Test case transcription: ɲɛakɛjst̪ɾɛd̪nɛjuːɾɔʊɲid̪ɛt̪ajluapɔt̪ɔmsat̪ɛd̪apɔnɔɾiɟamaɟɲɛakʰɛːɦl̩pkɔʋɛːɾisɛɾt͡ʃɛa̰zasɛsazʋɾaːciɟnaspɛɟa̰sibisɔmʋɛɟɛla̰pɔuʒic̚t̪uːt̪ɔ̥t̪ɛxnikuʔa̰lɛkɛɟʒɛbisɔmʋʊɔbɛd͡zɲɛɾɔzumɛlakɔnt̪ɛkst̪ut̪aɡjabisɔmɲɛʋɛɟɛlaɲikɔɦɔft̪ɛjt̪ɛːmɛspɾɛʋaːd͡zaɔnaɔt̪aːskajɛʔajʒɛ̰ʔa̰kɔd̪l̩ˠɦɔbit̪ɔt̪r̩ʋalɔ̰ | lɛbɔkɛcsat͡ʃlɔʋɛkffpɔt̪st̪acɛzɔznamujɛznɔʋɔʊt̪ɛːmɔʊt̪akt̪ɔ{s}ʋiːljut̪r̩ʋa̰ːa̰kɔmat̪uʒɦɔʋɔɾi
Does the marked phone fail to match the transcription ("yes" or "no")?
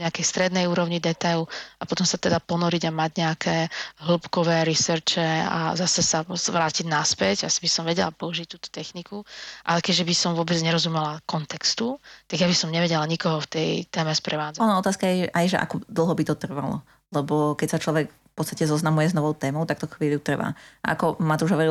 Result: yes